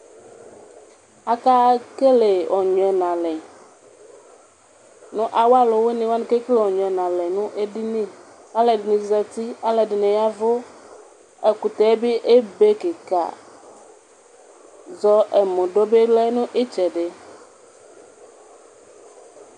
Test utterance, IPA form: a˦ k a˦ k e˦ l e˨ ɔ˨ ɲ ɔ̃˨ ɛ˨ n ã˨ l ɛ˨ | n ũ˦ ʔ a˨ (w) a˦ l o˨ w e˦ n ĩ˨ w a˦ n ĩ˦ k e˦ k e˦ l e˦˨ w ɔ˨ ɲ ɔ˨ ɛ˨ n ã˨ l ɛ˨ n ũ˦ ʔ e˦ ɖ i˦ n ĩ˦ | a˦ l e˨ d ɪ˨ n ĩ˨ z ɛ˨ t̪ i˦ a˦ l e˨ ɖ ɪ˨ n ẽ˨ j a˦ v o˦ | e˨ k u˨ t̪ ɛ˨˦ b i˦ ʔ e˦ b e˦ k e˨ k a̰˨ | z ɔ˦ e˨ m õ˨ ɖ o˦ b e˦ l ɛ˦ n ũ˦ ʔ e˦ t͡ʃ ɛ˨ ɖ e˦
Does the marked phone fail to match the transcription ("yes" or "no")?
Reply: no